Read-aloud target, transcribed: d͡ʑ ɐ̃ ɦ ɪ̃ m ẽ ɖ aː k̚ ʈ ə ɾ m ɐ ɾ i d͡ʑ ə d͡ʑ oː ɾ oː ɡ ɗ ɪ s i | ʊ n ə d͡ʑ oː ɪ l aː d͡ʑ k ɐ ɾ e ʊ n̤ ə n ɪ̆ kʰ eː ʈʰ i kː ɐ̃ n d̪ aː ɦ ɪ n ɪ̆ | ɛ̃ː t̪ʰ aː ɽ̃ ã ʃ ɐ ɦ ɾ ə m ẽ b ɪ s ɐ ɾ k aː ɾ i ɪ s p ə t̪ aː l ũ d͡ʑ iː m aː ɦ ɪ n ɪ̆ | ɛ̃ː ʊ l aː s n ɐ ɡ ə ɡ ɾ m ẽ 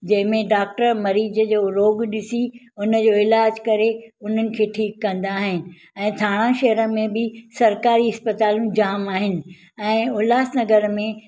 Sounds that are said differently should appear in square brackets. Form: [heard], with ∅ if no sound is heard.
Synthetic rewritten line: d͡ʑ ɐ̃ ɦ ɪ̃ m ẽ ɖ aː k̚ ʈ ə ɾ m ɐ ɾ [iː] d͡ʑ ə d͡ʑ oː ɾ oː ɡ ɗ ɪ s i | ʊ n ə d͡ʑ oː ɪ l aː d͡ʑ k ɐ ɾ e ʊ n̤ ə n ɪ̆ kʰ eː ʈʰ [iː] kː ɐ̃ n d̪ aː ɦ ɪ n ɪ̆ | ɛ̃ː t̪ʰ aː ɽ̃ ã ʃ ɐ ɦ ɾ ə m ẽ b ɪ s ɐ ɾ k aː ɾ i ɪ s p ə t̪ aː l ũ d͡ʑ [aː] m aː ɦ ɪ n ɪ̆ | ɛ̃ː ʊ l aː s n ɐ ɡ ə [∅] ɾ m ẽ

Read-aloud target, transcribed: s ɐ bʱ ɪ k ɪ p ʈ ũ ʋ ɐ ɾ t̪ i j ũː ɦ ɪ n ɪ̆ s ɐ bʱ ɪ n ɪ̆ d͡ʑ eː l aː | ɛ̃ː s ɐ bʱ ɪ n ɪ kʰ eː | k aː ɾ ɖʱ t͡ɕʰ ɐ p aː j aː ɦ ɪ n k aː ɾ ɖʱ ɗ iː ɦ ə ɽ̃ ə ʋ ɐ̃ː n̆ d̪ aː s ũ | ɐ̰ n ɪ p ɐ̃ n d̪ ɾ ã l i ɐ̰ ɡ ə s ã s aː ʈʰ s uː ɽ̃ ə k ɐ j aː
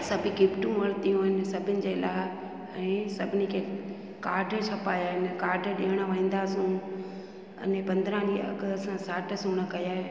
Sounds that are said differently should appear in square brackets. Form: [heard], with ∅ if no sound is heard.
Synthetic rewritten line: s ɐ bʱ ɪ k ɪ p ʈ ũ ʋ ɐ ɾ t̪ i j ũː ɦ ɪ n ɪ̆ s ɐ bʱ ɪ n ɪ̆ d͡ʑ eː l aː | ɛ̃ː s ɐ bʱ ɪ n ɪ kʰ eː | k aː ɾ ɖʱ t͡ɕʰ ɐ p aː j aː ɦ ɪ n k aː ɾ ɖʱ ɗ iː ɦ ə ɽ̃ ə ʋ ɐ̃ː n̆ d̪ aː s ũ | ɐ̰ n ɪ p ɐ̃ n d̪ ɾ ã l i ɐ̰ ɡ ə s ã s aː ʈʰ s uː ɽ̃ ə k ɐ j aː

